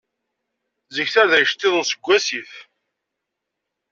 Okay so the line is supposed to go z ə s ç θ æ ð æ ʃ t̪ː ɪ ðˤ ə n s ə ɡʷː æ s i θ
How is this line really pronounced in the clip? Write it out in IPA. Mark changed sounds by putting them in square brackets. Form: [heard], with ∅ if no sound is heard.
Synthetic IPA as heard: z ə [∅] ç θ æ ð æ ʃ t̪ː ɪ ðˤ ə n s ə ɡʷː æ s i θ